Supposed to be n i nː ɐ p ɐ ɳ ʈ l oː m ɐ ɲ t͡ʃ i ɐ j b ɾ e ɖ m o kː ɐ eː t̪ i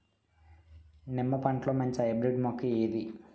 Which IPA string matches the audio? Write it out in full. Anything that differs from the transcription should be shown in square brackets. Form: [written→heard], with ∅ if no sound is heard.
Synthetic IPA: n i [nː→mː] ɐ p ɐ ɳ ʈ l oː m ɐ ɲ t͡ʃ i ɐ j b ɾ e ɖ m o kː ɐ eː [t̪→d̪] i